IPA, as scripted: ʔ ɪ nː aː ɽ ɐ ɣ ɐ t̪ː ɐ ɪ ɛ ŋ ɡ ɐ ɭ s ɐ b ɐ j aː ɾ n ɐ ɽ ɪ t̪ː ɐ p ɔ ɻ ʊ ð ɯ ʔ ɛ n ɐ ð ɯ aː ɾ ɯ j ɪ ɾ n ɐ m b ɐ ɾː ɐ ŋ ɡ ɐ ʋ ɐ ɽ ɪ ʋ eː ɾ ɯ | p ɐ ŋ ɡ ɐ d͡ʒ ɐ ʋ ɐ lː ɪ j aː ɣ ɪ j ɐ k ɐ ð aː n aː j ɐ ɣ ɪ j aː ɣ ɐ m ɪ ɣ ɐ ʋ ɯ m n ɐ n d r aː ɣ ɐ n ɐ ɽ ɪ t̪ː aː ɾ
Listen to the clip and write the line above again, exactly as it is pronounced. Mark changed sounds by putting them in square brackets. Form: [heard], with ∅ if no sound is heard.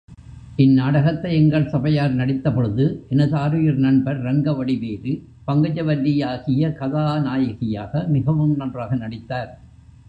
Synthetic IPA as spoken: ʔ ɪ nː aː ɽ ɐ ɣ ɐ t̪ː ɐ ɪ ɛ ŋ ɡ ɐ ɭ s ɐ b ɐ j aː ɾ n ɐ ɽ ɪ t̪ː ɐ p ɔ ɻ [ɯ] ð ɯ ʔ ɛ n ɐ ð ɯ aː ɾ ɯ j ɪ ɾ n ɐ [ɳ] b ɐ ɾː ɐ ŋ ɡ ɐ ʋ ɐ ɽ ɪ ʋ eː ɾ ɯ | p ɐ ŋ ɡ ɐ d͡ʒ ɐ ʋ ɐ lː ɪ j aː ɣ ɪ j ɐ k ɐ ð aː n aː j ɐ ɣ ɪ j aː ɣ ɐ m ɪ ɣ ɐ ʋ ɯ m n ɐ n d r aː ɣ ɐ n ɐ ɽ ɪ t̪ː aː ɾ